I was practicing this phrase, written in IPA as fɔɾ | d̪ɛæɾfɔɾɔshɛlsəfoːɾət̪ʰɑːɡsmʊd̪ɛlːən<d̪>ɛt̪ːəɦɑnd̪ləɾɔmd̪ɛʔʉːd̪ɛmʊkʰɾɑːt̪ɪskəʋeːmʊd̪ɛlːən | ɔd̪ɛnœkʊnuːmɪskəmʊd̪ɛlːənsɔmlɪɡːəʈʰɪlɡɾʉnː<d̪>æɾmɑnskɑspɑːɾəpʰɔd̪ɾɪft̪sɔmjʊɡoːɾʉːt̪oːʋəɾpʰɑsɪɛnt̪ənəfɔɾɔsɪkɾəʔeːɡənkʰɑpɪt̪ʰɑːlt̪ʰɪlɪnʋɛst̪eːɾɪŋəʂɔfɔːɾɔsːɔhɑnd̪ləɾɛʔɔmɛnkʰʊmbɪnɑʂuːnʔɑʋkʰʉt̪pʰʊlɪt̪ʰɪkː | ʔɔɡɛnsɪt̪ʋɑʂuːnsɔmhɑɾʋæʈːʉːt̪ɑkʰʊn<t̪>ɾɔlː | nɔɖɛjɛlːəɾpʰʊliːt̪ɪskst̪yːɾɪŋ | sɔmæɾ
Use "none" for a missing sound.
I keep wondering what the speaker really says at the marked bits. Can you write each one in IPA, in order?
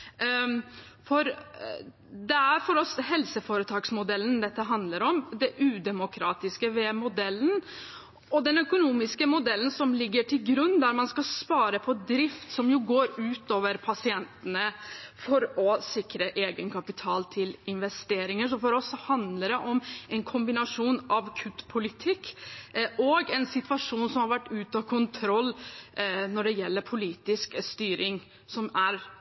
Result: d̪, d̪, t̪ʰ

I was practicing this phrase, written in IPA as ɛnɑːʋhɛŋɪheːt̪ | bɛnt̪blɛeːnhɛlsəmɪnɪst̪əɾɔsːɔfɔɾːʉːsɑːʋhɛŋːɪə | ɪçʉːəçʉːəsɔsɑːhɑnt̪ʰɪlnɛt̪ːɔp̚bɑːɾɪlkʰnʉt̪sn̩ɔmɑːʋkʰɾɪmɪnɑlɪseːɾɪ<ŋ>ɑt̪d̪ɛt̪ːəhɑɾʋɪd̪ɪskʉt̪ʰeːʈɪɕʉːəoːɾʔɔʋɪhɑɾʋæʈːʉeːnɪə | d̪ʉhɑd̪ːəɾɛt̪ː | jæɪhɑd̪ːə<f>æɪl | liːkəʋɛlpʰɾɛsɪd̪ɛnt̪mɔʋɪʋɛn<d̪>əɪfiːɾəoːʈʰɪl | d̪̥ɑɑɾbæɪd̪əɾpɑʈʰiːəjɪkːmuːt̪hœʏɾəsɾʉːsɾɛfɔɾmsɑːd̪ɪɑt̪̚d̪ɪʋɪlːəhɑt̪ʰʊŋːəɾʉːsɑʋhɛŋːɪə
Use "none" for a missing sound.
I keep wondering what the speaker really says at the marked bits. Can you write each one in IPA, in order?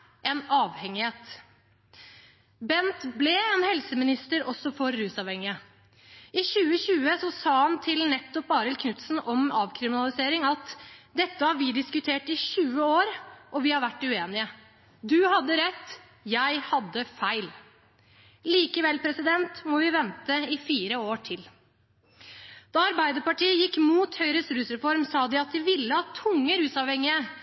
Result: ŋ, f, t̪

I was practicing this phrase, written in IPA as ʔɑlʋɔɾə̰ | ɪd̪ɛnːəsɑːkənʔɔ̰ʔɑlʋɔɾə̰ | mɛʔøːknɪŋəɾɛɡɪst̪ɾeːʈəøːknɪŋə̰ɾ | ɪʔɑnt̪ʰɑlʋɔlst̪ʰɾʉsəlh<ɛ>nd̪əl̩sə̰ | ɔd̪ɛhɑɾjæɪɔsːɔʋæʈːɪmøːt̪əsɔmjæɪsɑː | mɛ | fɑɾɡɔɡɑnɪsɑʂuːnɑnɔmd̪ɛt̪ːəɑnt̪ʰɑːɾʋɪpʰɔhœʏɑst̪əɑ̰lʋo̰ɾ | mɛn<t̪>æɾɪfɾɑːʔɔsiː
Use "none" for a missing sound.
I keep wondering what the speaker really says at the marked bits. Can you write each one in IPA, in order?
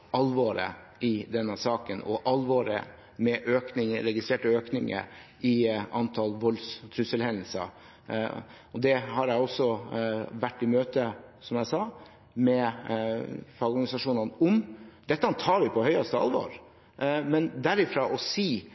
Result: ɛ, d̪

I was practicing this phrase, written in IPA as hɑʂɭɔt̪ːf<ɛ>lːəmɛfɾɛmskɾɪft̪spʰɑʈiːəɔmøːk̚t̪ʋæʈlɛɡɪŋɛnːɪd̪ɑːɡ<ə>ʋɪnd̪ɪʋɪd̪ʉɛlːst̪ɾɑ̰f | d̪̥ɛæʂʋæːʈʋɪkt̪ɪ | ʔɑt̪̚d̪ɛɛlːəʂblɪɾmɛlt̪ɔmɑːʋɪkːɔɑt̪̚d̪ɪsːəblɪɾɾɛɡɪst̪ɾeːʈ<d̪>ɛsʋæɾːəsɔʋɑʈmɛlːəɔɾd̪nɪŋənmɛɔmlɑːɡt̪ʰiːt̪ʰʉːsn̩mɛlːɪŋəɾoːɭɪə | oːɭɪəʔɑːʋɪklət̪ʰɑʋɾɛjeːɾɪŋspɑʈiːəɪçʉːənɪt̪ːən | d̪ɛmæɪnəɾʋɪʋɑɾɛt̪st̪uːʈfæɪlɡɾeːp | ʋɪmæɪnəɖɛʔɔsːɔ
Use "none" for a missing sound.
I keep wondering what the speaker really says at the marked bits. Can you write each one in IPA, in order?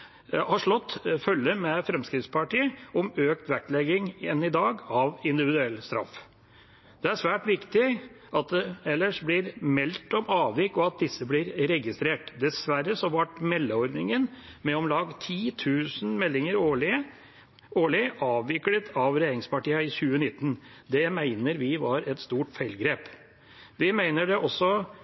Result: œ, ɑ, d̪

